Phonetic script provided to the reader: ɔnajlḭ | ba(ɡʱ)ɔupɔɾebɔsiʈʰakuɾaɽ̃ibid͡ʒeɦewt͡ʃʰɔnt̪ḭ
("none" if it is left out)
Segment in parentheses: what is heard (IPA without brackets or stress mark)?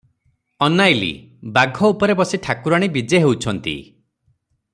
ɡʱ